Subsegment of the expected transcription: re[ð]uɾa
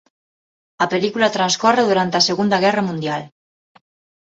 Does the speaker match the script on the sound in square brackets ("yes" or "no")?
yes